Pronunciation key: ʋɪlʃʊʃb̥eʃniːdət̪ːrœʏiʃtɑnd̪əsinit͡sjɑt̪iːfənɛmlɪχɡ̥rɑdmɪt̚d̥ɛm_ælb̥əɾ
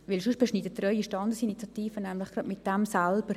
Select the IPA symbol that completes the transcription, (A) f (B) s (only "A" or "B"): B